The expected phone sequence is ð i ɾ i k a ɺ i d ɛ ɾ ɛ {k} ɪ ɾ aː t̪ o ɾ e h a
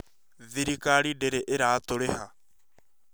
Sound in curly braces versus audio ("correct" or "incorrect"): incorrect